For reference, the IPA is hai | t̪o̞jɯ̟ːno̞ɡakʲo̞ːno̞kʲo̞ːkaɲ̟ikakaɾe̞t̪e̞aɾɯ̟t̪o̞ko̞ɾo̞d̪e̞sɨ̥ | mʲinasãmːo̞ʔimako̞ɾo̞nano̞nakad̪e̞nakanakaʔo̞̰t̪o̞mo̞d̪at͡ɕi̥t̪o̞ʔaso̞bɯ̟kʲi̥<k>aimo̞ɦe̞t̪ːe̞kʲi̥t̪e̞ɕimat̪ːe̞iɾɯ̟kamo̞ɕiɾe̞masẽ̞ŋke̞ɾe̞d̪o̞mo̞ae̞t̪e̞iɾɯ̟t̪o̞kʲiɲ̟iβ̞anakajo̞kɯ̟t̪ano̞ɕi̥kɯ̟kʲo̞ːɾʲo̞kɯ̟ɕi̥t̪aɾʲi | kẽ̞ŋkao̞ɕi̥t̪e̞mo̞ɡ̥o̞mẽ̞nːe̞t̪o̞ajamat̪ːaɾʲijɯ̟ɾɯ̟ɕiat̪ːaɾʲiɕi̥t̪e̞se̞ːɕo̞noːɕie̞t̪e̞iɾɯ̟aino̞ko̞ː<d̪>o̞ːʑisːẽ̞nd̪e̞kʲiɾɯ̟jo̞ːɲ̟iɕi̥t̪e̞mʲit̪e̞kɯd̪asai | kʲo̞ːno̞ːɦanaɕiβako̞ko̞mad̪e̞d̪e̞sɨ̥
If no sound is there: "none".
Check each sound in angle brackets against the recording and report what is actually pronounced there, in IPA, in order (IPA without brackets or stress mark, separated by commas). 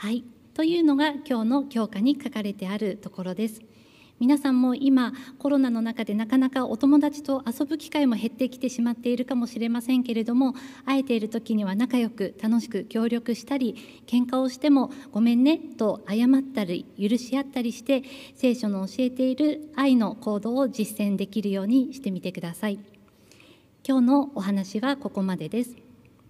k, d̪